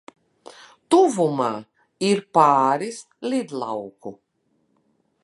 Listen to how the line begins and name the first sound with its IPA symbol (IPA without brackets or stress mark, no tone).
t̪